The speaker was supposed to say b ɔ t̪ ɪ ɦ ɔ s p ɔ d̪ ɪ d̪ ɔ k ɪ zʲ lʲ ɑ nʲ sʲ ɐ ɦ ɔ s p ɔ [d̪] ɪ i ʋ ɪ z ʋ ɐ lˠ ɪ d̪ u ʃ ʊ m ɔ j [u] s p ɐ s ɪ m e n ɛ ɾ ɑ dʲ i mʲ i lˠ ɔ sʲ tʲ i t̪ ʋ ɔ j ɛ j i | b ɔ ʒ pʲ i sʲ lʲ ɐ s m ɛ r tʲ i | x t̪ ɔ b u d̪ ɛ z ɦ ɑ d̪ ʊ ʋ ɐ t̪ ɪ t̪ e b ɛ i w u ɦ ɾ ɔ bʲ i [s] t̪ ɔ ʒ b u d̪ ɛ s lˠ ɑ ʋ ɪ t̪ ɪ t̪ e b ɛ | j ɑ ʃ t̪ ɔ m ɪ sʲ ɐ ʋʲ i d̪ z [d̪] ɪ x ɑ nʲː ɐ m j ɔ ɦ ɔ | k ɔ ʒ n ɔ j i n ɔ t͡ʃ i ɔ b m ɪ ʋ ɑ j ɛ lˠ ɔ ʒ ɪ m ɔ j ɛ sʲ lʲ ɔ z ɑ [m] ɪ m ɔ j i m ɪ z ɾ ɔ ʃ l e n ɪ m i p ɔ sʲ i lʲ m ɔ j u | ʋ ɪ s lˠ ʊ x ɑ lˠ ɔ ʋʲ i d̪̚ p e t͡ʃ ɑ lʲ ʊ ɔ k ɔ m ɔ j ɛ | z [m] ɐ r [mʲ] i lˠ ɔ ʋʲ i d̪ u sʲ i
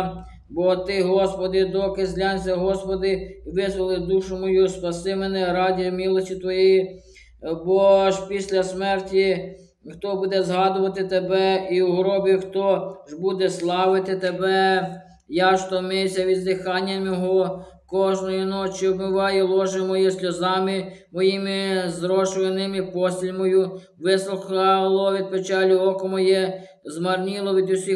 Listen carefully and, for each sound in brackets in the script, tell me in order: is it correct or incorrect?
correct, correct, incorrect: x, correct, correct, correct, incorrect: nʲ

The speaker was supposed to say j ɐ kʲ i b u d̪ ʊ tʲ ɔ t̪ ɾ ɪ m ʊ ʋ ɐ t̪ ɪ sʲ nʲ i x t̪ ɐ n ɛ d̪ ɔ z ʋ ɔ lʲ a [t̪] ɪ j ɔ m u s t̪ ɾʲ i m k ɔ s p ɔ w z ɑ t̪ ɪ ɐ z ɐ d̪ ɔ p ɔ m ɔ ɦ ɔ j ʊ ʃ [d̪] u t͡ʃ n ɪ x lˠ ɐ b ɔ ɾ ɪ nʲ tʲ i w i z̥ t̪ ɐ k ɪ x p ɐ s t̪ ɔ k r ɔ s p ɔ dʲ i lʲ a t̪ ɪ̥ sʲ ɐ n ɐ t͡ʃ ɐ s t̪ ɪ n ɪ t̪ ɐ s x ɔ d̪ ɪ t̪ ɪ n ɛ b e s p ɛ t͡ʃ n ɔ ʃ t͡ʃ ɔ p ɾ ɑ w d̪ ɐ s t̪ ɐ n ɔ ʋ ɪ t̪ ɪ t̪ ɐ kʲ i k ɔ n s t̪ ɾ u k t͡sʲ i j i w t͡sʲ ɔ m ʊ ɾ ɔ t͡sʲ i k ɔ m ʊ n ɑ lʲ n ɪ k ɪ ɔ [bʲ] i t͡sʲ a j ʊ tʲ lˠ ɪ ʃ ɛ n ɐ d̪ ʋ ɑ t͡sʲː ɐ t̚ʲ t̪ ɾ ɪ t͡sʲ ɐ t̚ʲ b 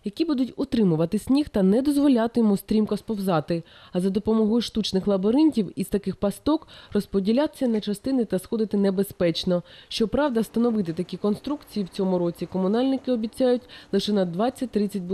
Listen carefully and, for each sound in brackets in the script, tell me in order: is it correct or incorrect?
correct, incorrect: t̪, correct

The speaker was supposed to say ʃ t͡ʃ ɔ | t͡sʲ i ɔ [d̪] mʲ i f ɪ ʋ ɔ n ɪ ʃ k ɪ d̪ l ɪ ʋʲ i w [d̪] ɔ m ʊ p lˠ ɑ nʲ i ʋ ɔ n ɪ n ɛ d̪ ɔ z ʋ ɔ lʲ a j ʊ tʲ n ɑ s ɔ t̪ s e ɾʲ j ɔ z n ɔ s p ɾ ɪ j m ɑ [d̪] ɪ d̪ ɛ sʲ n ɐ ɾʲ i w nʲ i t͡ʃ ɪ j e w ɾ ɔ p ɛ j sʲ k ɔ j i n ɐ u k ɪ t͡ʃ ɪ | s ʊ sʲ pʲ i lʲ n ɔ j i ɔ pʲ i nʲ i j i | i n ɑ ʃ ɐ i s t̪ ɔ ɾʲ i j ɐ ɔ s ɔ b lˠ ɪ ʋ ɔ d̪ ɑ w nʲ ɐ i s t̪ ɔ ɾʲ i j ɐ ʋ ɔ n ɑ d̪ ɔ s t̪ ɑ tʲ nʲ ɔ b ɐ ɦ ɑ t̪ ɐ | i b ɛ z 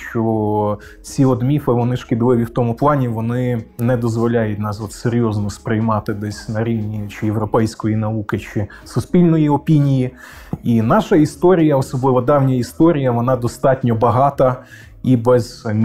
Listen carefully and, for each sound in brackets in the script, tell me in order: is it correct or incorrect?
correct, incorrect: t̪, incorrect: t̪

